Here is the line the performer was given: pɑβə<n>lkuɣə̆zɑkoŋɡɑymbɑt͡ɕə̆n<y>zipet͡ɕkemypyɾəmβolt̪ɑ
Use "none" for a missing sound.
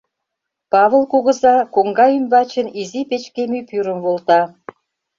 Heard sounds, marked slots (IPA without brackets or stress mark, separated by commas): none, i